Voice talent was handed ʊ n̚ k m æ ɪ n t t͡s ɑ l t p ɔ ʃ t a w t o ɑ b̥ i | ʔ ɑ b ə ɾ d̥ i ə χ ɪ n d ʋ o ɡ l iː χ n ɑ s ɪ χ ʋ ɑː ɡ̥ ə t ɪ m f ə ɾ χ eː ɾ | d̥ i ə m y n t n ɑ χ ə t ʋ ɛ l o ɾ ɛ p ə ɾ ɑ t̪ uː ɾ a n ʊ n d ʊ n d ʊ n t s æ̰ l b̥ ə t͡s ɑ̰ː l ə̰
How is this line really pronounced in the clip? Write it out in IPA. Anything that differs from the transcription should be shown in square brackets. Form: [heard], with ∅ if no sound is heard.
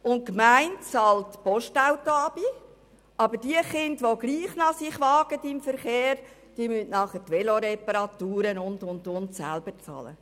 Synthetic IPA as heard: ʊ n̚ k m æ ɪ n t t͡s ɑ l t p ɔ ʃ t a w t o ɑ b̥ i | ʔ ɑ b ə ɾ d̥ i ə χ ɪ n d ʋ o ɡ l iː χ n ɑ s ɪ χ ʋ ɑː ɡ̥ ə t ɪ m f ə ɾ χ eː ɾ | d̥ i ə m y n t n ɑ χ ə t ʋ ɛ l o ɾ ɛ p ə ɾ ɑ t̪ uː ɾ [ə] n ʊ n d ʊ n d ʊ n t s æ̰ l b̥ ə t͡s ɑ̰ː l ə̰

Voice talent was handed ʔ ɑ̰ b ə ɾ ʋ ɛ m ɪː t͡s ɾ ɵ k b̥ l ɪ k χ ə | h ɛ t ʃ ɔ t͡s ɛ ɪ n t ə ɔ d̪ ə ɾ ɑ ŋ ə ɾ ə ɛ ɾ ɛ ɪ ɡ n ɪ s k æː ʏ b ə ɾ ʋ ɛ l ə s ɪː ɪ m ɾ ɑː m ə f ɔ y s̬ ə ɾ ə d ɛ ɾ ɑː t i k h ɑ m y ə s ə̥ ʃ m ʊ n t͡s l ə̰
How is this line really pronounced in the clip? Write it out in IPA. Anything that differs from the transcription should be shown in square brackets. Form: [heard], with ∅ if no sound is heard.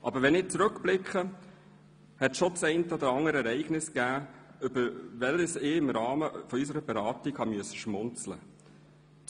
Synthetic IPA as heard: ʔ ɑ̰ b ə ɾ ʋ ɛ [n] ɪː t͡s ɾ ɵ k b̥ l ɪ k χ ə | h ɛ t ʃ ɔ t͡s ɛ ɪ n t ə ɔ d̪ ə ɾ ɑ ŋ ə ɾ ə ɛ ɾ ɛ ɪ ɡ n ɪ s k æː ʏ b ə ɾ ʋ ɛ l ə s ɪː ɪ m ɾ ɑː m ə f ɔ y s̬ ə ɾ ə [b] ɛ ɾ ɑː t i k h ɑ m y ə s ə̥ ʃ m ʊ n t͡s l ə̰

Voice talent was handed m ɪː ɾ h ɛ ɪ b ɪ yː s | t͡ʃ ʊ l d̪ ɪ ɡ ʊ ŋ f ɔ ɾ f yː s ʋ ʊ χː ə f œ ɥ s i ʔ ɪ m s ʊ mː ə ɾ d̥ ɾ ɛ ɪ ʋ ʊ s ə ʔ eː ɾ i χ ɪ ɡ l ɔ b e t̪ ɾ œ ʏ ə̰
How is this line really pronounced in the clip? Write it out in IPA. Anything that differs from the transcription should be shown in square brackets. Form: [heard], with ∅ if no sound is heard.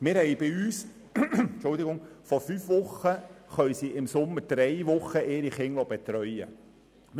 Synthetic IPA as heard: m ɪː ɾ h ɛ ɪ b ɪ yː s | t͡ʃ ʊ l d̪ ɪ ɡ ʊ ŋ f ɔ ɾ f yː [f] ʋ ʊ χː ə [χ] œ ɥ s i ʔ ɪ m s ʊ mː ə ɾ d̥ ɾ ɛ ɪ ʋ ʊ [χ] ə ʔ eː ɾ i χ ɪ [ŋ] l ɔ b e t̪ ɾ œ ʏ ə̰

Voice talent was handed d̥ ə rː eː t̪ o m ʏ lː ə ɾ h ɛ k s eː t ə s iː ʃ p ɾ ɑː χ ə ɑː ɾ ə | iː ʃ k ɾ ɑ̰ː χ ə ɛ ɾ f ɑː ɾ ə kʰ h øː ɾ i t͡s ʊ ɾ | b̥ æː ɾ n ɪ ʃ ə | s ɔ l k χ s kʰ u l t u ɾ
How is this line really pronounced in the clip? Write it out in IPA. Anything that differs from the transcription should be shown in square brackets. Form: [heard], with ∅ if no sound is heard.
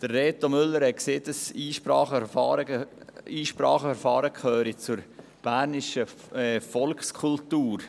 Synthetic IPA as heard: d̥ ə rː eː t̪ o m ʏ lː ə ɾ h ɛ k s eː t ə s iː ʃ p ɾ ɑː χ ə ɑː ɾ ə | iː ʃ [p] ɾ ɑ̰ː χ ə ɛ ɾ f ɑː ɾ ə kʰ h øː ɾ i t͡s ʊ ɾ | b̥ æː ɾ n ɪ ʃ ə | [f] ɔ l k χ s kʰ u l t [uː] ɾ

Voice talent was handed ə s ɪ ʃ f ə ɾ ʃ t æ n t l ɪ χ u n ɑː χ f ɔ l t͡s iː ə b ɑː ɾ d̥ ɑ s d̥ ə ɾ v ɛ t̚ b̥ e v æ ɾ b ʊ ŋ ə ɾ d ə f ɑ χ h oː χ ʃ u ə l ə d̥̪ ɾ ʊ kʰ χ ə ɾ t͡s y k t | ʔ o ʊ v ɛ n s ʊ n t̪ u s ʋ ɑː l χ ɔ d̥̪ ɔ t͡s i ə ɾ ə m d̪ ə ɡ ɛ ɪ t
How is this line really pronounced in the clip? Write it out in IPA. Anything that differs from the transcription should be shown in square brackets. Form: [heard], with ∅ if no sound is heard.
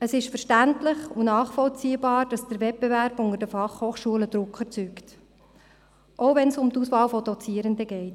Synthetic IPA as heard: ə s ɪ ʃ f ə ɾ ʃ t æ n t l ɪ χ u n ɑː χ f ɔ l t͡s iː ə b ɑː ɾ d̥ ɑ s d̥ ə ɾ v ɛ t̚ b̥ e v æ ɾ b ʊ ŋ ə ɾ d ə f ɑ χ h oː χ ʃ u ə l ə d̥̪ ɾ ʊ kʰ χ ə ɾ t͡s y k t | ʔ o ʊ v ɛ n s ʊ [m] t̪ u s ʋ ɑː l [f] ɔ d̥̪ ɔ t͡s i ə ɾ ə [n] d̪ ə ɡ ɛ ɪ t

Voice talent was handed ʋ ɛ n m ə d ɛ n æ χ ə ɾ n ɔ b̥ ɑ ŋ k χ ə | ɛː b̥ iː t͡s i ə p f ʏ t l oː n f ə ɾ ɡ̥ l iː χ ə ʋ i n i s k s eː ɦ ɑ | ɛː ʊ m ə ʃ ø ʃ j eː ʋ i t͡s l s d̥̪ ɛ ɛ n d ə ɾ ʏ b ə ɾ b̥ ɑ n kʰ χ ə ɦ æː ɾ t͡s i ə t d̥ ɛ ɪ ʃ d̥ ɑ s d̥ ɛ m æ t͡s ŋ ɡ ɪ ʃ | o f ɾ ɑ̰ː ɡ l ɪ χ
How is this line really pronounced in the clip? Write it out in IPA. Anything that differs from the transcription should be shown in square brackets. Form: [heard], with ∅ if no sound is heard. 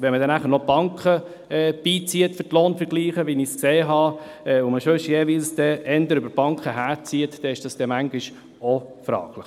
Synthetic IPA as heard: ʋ ɛ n m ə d ɛ n æ χ ə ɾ n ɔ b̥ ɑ ŋ k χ ə | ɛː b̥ iː t͡s i ə [t] f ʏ t l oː n f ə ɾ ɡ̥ l iː χ ə ʋ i n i s k s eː ɦ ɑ | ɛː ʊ m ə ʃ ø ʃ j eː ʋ i [∅] l s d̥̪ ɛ ɛ n d ə ɾ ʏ b ə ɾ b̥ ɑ [ŋ] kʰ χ ə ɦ æː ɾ t͡s i ə t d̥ ɛ ɪ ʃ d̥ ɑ s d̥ ɛ m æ [∅] ŋ ɡ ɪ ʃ | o f ɾ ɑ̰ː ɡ l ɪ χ

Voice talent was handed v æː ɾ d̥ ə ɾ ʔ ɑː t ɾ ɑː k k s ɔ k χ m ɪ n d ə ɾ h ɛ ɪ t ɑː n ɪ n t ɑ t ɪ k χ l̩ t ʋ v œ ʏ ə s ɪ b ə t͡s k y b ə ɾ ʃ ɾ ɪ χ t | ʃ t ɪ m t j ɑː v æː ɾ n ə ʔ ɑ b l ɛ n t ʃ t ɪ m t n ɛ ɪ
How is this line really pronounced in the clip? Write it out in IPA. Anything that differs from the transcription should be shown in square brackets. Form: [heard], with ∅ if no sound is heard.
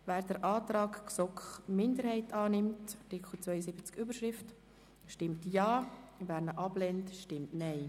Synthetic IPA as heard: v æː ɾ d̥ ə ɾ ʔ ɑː t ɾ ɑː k k s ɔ k χ m ɪ n d ə ɾ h ɛ ɪ t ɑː n ɪ [m] t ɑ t ɪ k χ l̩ [t͡s] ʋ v œ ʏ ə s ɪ b ə t͡s k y b ə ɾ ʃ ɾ ɪ [f] t | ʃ t ɪ m t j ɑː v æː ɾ n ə ʔ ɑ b l ɛ n t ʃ t ɪ m t n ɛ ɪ

